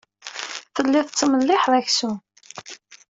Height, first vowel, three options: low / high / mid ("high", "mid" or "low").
mid